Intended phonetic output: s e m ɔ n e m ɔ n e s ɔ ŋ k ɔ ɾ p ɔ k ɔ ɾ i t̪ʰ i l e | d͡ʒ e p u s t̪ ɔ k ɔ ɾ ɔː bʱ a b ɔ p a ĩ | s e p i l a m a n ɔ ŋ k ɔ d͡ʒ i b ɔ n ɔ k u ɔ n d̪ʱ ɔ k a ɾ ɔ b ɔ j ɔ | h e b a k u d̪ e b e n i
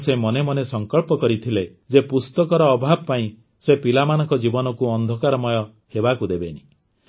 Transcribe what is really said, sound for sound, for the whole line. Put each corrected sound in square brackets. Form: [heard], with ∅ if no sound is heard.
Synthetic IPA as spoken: s e m ɔ n e m ɔ n e s ɔ ŋ k ɔ [ɭ] p ɔ k ɔ ɾ i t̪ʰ i l e | d͡ʒ e p u s t̪ ɔ k ɔ ɾ ɔː bʱ a b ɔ p a ĩ | s e p i l a m a n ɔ ŋ k ɔ d͡ʒ i b ɔ n ɔ k u ɔ n d̪ʱ ɔ k a ɾ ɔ [m] ɔ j ɔ | h e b a k u d̪ e b e n i